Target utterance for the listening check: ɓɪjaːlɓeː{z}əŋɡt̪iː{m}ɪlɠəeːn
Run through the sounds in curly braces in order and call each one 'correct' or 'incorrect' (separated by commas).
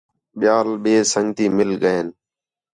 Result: incorrect, correct